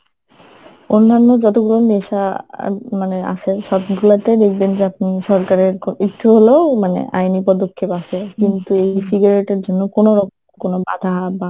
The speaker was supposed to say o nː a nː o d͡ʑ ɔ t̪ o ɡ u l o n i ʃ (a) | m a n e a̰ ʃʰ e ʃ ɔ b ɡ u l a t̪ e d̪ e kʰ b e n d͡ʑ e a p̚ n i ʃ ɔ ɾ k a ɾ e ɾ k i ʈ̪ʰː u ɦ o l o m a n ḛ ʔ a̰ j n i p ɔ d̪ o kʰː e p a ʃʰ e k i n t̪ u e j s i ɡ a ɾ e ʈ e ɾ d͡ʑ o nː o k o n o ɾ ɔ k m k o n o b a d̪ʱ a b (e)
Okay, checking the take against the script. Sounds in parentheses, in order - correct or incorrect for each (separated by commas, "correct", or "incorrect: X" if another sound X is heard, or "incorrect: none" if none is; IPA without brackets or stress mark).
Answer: correct, incorrect: a